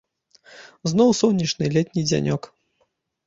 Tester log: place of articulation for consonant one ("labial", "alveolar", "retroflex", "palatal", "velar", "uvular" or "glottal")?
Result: alveolar